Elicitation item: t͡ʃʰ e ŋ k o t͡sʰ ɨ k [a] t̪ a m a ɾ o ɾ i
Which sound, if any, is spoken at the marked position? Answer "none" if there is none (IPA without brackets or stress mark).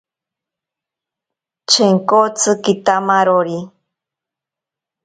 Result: i